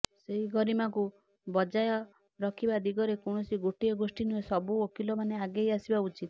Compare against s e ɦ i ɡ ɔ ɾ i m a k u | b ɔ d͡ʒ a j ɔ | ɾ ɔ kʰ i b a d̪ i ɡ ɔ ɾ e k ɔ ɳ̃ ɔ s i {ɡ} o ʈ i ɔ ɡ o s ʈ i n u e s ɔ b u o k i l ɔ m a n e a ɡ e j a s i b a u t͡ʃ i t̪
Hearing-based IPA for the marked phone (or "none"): ɡ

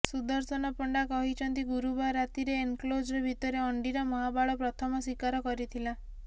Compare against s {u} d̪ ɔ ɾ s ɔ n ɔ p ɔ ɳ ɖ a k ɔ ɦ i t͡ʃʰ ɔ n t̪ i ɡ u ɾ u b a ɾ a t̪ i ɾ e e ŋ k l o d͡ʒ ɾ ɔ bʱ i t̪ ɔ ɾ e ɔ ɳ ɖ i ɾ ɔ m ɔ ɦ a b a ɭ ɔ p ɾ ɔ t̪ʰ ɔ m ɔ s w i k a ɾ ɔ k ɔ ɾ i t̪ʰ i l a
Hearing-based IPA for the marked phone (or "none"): u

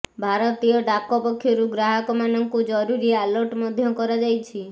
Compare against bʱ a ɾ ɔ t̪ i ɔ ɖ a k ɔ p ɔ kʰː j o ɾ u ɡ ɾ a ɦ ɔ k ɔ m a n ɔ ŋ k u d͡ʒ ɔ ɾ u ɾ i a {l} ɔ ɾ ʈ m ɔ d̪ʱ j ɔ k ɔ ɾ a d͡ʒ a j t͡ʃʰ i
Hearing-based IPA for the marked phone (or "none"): l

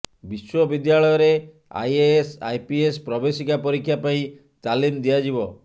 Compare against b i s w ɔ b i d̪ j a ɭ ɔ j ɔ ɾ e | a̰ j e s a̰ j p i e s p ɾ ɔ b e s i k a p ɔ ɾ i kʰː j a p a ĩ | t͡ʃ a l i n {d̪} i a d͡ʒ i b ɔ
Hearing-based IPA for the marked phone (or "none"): d̪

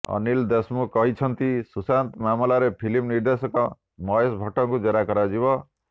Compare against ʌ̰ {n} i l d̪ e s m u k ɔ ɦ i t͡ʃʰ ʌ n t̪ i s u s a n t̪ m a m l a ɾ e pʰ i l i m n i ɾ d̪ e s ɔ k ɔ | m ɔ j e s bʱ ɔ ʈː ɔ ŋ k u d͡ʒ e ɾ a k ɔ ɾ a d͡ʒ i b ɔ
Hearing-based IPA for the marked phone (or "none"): n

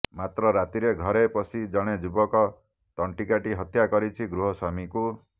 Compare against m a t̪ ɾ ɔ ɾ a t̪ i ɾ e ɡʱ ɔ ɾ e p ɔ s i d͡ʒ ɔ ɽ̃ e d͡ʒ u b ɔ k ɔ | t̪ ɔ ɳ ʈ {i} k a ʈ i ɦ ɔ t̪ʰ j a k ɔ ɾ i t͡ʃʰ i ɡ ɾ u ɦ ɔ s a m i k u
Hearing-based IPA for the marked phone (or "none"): i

